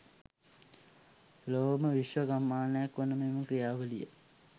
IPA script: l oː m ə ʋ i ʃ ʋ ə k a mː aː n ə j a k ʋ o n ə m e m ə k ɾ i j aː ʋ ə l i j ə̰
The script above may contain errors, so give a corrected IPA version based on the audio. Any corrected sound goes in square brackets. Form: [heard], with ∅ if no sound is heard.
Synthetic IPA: l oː m ə ʋ i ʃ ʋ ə [ɡ] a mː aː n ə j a k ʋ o n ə m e m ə k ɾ i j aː ʋ ə l i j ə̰